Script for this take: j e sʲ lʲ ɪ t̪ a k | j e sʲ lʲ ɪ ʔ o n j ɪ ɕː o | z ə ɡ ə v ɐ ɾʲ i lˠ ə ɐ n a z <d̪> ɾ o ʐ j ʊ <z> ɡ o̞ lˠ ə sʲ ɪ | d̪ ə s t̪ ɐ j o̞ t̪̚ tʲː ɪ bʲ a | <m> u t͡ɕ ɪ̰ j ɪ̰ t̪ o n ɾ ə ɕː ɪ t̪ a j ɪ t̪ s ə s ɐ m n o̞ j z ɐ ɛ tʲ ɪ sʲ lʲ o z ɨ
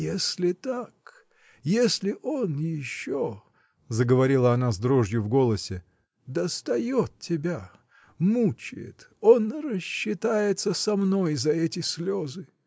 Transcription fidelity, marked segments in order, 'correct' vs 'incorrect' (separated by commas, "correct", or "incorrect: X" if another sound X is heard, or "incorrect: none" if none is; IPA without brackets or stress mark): correct, incorrect: v, correct